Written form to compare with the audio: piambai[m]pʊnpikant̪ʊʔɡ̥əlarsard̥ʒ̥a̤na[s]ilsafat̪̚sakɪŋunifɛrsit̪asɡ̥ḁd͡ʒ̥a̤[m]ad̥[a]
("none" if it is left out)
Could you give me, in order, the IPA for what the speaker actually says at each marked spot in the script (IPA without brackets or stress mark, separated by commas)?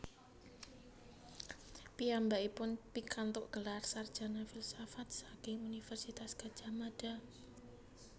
none, f, m, a